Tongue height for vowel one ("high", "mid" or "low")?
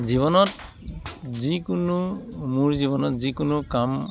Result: high